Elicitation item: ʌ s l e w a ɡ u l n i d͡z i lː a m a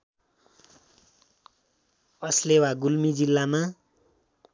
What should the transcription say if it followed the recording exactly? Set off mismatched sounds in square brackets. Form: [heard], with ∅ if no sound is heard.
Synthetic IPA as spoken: ʌ s l e w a ɡ u l [m] i d͡z i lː a m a